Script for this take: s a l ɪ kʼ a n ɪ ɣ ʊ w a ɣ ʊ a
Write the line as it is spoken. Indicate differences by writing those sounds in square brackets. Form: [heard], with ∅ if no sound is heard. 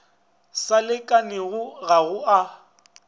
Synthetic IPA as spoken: s a l ɪ kʼ a n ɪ ɣ ʊ [ɣ] a ɣ ʊ a